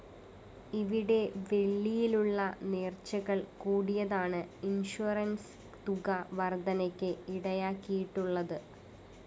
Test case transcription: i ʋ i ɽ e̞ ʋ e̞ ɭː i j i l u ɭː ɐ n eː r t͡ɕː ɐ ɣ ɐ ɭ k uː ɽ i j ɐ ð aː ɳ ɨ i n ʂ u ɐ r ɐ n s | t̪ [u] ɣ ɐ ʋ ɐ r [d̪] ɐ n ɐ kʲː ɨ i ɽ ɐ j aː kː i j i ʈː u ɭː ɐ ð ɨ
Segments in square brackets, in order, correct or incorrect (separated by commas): correct, correct